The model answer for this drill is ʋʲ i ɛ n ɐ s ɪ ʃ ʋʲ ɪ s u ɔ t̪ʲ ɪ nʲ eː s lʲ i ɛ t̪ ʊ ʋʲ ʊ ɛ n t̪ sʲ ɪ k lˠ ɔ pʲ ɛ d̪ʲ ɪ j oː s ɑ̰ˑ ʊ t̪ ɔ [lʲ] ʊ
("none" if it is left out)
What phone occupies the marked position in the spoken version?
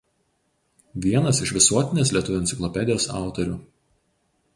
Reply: ɾʲ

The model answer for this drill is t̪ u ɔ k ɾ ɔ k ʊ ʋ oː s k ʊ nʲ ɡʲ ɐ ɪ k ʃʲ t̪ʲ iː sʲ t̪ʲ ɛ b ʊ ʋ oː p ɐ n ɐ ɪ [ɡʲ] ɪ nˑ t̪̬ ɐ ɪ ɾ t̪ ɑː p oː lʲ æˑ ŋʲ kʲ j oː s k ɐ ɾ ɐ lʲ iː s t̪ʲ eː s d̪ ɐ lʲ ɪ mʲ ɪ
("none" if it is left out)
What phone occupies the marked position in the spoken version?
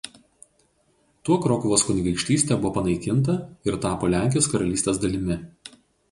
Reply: kʲ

